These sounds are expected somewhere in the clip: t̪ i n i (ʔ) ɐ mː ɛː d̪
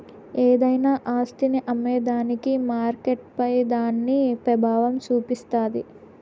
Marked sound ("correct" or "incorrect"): correct